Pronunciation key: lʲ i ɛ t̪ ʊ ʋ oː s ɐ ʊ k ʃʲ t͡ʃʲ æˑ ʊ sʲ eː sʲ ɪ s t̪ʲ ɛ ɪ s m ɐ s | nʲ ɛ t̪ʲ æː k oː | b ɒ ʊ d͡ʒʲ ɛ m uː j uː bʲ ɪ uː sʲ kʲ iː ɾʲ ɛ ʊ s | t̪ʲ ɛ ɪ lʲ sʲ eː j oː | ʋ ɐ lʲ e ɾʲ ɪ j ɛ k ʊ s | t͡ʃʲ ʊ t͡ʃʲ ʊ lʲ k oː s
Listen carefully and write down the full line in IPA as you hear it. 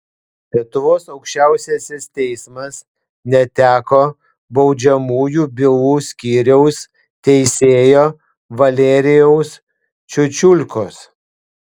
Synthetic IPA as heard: lʲ i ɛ t̪ ʊ ʋ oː s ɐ ʊ k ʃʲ t͡ʃʲ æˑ ʊ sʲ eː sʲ ɪ s t̪ʲ ɛ ɪ s m ɐ s | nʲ ɛ t̪ʲ æː k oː | b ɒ ʊ d͡ʒʲ ɛ m uː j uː bʲ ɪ uː sʲ kʲ iː ɾʲ ɛ ʊ s | t̪ʲ ɛ ɪ sʲ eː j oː | ʋ ɐ lʲ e ɾʲ ɪ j ɛ ʊ s | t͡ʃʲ ʊ t͡ʃʲ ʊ lʲ k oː s

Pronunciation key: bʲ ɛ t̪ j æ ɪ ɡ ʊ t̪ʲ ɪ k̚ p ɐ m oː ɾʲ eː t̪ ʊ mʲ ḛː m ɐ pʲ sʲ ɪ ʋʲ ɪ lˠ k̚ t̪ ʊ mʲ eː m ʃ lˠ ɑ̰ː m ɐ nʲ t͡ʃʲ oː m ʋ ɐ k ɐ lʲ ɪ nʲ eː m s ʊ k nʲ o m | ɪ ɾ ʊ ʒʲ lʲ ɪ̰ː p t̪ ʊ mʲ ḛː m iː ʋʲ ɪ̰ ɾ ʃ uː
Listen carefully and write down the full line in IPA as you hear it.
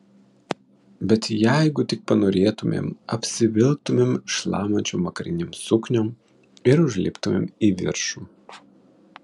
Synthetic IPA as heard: bʲ ɛ t̪ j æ ɪ ɡ ʊ t̪ʲ ɪ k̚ p ɐ n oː ɾʲ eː t̪ ʊ mʲ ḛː m ɐ pʲ sʲ ɪ ʋʲ ɪ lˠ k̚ t̪ ʊ mʲ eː m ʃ lˠ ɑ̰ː m ɐ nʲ t͡ʃʲ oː m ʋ ɐ k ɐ ɾʲ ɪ nʲ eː m s ʊ k nʲ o m | ɪ ɾ ʊ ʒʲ lʲ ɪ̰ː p t̪ ʊ mʲ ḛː m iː ʋʲ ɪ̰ ɾ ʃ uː

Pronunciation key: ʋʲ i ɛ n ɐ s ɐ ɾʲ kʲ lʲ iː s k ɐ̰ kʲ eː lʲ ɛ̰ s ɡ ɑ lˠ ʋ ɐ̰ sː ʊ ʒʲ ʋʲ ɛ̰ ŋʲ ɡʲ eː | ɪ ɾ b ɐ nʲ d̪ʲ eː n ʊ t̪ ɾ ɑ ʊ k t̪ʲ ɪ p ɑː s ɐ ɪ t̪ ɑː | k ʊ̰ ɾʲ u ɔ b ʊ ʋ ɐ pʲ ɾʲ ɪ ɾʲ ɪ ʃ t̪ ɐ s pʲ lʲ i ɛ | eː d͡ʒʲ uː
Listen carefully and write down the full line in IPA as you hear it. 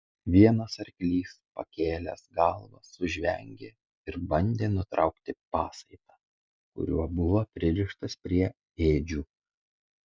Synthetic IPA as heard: ʋʲ i ɛ n ɐ s ɐ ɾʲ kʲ lʲ iː s p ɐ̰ kʲ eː lʲ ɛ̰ s ɡ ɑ lˠ ʋ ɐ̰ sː ʊ ʒʲ ʋʲ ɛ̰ ŋʲ ɡʲ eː | ɪ ɾ b ɐ nʲ d̪ʲ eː n ʊ t̪ ɾ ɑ ʊ k t̪ʲ ɪ p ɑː s ɐ ɪ t̪ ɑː | k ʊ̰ ɾʲ u ɔ b ʊ ʋ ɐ pʲ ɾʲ ɪ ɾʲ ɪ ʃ t̪ ɐ s pʲ ɾʲ i ɛ | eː d͡ʒʲ uː

